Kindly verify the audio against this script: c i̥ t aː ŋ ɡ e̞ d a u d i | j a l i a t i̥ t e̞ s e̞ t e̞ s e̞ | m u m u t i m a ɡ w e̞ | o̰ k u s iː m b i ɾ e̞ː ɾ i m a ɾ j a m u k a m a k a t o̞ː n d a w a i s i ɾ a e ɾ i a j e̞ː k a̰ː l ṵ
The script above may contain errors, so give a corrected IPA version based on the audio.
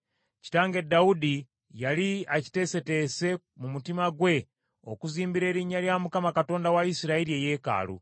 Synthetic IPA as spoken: c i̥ t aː ŋ ɡ e̞ d a u d i | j a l i a c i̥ t e̞ s e̞ t e̞ s e̞ | m u m u t i m a ɡ w e̞ | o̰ k u z iː m b i ɾ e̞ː ɾ i ɲ a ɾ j a m u k a m a k a t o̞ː n d a w a i s i ɾ a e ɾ i e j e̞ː k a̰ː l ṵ